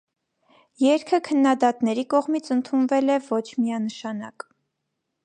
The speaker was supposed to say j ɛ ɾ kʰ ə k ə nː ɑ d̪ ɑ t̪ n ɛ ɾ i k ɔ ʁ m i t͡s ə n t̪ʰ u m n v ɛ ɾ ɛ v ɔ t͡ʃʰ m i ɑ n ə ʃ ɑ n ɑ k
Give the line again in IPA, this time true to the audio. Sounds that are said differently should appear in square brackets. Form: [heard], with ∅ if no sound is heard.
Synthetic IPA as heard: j ɛ ɾ kʰ ə [kʰ] ə nː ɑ d̪ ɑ t̪ n ɛ ɾ i k ɔ ʁ m i [t͡sʰ] ə n t̪ʰ u [∅] n v ɛ [l] ɛ v ɔ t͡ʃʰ m i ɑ n ə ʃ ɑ n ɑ k